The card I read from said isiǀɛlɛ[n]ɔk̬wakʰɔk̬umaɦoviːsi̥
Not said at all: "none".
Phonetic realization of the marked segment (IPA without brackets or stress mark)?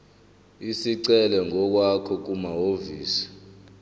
ŋ